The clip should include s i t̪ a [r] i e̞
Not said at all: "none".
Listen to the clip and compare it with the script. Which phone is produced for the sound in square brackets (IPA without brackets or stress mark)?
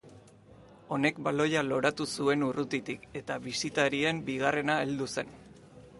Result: ɾ